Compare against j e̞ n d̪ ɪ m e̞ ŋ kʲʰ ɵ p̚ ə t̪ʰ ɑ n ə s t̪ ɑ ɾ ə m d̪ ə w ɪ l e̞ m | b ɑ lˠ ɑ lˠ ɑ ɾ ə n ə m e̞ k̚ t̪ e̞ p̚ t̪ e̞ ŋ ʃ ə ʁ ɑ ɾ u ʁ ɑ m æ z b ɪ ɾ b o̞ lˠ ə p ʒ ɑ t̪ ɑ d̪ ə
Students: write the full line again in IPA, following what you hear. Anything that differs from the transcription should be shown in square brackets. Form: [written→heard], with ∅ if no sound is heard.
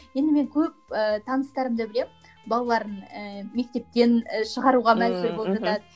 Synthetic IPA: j e̞ n d̪ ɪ m e̞ ŋ kʲʰ ɵ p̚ ə t̪ʰ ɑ n ə s t̪ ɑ ɾ ə m d̪ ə [w→b] ɪ l e̞ m | b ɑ lˠ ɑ lˠ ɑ ɾ ə n ə m e̞ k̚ t̪ e̞ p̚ t̪ e̞ [ŋ→n] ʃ ə ʁ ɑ ɾ u ʁ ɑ m æ z b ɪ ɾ b o̞ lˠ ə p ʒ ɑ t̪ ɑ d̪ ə